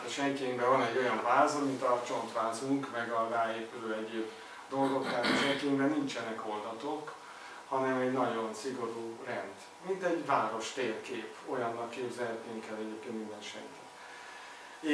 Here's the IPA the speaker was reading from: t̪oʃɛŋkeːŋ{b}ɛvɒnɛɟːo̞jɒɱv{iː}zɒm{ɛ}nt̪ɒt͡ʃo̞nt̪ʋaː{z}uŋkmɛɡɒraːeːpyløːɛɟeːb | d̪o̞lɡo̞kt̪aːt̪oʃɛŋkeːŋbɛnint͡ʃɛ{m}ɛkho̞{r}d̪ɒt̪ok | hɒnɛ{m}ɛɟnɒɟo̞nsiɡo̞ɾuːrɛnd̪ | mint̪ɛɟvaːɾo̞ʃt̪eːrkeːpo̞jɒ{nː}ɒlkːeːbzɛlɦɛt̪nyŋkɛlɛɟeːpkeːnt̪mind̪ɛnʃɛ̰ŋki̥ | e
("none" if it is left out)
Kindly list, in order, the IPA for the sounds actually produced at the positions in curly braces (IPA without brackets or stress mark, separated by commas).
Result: b, aː, i, z, n, l, m, nː